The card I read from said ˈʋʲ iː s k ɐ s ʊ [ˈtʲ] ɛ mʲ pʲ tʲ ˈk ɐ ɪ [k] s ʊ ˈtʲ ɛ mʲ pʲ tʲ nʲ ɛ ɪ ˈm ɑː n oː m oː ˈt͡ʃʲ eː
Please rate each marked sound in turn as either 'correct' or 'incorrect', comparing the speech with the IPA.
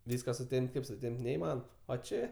correct, incorrect: p

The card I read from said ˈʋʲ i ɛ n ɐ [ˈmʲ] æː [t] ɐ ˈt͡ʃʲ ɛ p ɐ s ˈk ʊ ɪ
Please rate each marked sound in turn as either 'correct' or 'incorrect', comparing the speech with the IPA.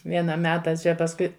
correct, correct

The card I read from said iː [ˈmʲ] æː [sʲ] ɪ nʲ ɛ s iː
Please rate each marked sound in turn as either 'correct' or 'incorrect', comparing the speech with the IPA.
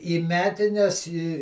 correct, incorrect: tʲ

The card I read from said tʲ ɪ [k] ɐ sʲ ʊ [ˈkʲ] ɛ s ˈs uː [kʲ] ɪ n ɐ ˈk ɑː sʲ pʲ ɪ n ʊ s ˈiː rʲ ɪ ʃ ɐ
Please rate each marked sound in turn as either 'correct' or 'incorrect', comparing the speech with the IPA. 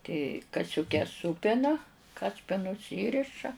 correct, correct, incorrect: pʲ

